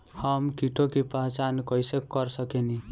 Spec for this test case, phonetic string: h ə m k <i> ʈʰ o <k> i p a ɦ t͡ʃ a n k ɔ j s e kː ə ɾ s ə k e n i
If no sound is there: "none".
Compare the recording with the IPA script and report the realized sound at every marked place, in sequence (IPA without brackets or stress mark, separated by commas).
i, k